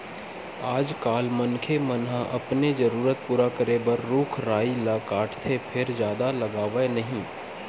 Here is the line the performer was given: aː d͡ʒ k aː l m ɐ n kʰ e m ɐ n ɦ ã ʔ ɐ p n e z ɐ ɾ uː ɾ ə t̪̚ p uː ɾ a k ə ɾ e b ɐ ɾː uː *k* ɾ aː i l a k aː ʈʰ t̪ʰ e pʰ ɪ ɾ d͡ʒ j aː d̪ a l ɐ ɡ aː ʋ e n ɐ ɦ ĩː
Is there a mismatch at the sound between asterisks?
yes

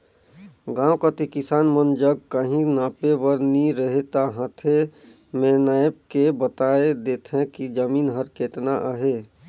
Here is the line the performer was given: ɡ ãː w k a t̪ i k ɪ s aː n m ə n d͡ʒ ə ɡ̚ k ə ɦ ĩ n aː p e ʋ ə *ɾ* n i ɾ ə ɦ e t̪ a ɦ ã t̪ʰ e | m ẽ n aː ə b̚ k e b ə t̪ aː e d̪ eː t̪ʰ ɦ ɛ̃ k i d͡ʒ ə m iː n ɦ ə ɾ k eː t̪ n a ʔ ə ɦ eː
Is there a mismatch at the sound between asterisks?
no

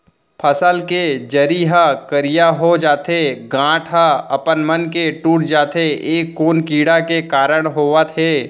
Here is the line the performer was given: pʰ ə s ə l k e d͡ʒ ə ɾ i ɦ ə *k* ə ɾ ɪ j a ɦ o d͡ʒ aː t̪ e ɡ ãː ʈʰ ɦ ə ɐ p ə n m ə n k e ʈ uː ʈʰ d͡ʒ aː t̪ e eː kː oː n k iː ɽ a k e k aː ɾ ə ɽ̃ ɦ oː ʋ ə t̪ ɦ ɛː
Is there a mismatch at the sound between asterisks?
no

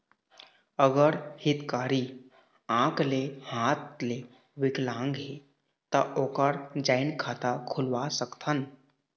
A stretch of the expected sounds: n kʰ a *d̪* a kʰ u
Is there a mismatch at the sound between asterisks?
yes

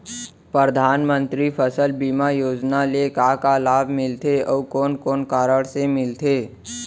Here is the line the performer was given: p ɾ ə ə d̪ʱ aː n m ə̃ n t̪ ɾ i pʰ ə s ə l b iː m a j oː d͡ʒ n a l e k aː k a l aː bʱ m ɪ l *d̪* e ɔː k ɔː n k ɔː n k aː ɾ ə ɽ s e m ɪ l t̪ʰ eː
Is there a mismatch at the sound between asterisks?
yes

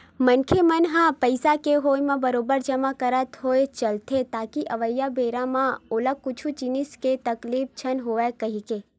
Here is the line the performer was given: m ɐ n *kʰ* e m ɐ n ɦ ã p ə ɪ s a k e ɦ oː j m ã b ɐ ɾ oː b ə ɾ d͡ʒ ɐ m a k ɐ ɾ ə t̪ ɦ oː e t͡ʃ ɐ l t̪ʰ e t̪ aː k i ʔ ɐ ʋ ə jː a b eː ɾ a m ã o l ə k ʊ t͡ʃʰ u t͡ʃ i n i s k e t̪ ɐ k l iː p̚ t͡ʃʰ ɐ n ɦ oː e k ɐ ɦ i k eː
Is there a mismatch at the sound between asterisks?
no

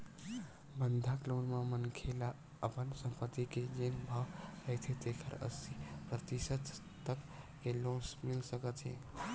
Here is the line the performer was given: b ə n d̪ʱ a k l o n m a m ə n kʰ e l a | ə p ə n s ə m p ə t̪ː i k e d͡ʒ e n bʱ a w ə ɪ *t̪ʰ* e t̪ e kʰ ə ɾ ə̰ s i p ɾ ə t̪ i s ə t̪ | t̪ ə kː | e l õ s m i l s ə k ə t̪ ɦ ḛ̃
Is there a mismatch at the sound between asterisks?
no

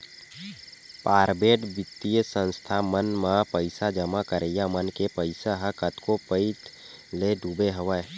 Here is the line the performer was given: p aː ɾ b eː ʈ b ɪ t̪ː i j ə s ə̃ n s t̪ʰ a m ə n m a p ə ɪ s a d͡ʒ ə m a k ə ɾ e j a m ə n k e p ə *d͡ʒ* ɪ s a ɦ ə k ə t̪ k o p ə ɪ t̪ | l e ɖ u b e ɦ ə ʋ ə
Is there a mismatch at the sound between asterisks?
yes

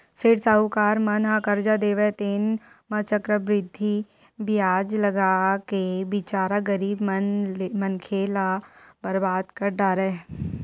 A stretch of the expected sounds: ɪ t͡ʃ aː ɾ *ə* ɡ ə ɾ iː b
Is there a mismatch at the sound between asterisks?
yes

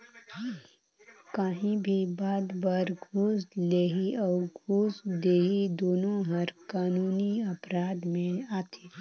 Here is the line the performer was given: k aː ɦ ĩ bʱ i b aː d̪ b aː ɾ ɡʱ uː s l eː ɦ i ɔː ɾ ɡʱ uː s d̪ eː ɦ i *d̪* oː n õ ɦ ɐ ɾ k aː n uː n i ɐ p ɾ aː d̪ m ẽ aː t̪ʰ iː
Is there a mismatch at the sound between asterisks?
no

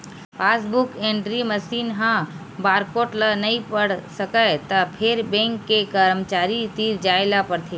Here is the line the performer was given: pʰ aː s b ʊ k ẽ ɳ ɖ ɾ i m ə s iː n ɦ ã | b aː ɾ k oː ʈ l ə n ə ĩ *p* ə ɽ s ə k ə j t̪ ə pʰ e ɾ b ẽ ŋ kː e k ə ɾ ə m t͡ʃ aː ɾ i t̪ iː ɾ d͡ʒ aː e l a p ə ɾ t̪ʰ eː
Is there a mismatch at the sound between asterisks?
no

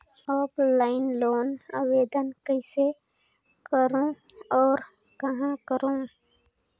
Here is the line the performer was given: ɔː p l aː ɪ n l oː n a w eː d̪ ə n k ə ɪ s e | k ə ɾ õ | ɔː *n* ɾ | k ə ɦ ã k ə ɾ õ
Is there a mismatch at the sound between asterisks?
yes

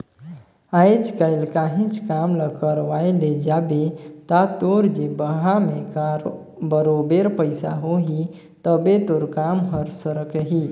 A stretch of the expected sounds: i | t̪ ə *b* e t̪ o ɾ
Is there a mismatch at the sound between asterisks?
no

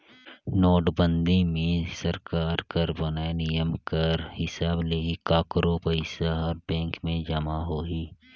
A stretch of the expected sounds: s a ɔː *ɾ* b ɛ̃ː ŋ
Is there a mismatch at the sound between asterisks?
no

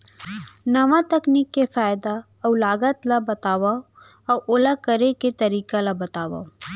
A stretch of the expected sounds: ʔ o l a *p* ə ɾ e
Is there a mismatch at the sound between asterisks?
yes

